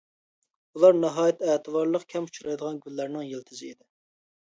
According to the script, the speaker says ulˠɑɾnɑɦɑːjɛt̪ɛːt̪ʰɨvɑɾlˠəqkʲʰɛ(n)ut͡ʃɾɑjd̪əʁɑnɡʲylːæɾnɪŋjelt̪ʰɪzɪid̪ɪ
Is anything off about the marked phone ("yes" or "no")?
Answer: yes